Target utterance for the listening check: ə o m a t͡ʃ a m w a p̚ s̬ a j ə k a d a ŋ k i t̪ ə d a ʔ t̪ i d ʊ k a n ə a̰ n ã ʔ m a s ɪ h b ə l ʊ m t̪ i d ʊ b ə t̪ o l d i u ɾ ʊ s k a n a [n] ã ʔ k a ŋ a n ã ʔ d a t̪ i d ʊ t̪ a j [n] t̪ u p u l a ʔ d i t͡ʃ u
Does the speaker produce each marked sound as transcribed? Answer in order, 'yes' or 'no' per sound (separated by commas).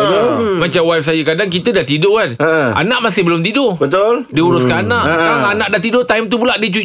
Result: yes, no